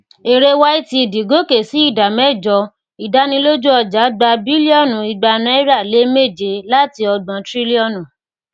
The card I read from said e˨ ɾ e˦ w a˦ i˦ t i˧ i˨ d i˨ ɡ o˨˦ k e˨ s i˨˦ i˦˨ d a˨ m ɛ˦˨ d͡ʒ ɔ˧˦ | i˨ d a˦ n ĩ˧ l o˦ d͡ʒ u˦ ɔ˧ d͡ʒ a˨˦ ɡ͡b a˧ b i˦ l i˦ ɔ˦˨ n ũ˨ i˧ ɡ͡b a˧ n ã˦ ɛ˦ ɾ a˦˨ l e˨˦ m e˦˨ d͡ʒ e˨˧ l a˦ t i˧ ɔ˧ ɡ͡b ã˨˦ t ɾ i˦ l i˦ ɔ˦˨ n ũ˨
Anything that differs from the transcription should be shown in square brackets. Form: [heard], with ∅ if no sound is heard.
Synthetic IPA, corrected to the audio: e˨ ɾ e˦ w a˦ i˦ t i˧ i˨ d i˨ ɡ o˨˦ k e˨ s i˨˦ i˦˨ d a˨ m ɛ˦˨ d͡ʒ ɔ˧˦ | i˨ d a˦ n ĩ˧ l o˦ d͡ʒ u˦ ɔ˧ d͡ʒ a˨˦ ɡ͡b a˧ b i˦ l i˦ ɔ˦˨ n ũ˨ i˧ ɡ͡b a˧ n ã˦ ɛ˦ ɾ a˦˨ l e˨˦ m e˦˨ d͡ʒ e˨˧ l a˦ t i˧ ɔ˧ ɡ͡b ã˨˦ t ɾ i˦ l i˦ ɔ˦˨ n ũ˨

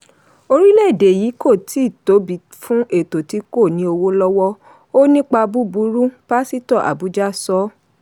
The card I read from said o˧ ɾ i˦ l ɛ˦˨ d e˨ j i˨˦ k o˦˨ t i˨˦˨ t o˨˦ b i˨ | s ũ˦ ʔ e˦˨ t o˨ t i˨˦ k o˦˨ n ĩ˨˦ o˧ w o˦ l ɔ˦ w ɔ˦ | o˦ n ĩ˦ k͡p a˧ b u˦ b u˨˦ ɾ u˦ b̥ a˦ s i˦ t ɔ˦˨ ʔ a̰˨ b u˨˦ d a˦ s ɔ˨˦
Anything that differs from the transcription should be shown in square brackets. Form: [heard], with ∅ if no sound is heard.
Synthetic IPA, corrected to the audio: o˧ ɾ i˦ l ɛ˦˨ d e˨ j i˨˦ k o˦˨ t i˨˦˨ t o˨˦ b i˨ | [f] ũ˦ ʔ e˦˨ t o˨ t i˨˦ k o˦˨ n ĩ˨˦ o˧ w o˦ l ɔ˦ w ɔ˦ | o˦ n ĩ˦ k͡p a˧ b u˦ b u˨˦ ɾ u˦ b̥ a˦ s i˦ t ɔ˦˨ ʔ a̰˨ b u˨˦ [d͡ʒ] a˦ s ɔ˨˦

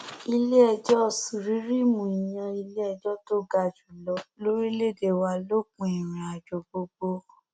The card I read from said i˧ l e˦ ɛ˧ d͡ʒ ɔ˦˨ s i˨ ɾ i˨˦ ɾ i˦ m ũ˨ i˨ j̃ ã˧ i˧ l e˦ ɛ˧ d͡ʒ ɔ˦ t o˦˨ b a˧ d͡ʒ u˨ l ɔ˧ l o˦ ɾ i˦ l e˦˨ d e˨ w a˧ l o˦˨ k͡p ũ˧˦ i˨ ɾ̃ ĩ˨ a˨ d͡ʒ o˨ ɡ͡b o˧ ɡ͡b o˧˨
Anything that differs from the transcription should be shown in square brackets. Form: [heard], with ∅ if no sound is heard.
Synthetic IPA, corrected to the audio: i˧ l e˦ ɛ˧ d͡ʒ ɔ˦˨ s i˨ ɾ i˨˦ ɾ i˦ m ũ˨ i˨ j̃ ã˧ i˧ l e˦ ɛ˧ d͡ʒ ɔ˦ t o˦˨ [ɡ] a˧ d͡ʒ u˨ l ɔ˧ l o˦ ɾ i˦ l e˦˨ d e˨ w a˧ l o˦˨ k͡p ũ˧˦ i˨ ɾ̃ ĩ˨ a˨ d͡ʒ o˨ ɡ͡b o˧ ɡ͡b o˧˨

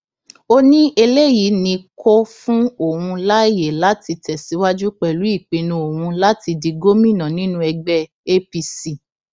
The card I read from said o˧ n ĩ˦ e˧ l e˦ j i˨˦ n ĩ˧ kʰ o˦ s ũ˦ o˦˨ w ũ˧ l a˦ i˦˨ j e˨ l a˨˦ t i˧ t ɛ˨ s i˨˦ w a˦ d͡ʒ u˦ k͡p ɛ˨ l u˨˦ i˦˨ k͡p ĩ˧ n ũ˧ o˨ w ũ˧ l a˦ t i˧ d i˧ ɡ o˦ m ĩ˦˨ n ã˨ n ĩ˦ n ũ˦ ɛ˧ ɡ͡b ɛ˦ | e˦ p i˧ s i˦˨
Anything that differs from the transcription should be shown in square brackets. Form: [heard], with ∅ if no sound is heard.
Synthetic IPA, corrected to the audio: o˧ n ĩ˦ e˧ l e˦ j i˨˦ n ĩ˧ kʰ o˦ [f] ũ˦ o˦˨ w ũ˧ l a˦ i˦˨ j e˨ l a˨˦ t i˧ t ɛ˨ s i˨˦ w a˦ d͡ʒ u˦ k͡p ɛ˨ l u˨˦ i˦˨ k͡p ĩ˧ n ũ˧ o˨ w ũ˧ l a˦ t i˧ d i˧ ɡ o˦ m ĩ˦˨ n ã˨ n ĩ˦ n ũ˦ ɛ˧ ɡ͡b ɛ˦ | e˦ p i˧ s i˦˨

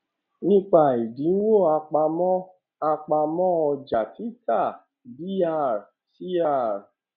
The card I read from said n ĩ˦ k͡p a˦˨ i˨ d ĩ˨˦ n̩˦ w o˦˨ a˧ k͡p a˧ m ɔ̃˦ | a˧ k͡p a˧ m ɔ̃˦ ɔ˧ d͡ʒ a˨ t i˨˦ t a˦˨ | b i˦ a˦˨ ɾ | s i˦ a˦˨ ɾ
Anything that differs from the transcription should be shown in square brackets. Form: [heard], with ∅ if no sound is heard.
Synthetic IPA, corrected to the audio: n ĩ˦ k͡p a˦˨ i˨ d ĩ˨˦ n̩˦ w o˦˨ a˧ k͡p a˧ m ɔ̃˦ | a˧ k͡p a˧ m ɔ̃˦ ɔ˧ d͡ʒ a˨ t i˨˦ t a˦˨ | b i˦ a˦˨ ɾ | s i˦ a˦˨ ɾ

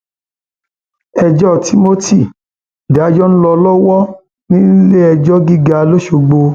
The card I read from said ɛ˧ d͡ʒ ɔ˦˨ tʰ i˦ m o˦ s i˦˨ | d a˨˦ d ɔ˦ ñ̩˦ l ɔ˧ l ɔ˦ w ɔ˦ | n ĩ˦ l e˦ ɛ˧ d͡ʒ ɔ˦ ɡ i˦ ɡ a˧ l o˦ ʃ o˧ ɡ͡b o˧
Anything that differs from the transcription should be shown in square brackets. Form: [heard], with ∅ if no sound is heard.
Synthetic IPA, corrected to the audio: ɛ˧ d͡ʒ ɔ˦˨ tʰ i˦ m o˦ [t] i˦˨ | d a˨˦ [d͡ʒ] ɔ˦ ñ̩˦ l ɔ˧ l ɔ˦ w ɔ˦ | n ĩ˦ l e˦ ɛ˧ d͡ʒ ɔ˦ ɡ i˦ ɡ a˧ l o˦ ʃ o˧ ɡ͡b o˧

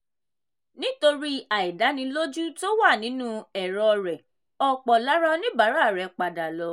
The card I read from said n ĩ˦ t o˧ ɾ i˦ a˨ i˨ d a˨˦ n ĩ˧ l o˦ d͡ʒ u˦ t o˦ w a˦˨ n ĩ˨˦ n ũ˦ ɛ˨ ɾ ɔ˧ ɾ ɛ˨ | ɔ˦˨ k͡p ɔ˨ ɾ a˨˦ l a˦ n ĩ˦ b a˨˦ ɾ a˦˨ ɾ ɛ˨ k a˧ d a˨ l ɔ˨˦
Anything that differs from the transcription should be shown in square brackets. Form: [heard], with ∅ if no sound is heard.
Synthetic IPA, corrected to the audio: n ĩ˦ t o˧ ɾ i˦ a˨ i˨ d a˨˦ n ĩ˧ l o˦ d͡ʒ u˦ t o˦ w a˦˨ n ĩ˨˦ n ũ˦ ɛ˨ ɾ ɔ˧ ɾ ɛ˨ | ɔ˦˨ k͡p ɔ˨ [l] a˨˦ [ɾ] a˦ n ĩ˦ b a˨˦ ɾ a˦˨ ɾ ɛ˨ [k͡p] a˧ d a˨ l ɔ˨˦

